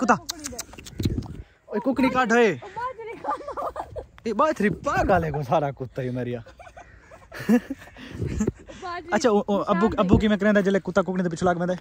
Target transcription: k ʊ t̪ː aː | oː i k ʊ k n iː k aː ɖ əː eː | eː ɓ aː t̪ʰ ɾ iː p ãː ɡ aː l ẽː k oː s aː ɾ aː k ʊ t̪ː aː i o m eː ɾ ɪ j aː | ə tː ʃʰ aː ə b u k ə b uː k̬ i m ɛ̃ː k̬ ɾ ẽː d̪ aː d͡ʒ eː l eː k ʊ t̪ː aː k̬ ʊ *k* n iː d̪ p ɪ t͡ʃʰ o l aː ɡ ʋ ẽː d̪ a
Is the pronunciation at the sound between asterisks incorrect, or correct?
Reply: correct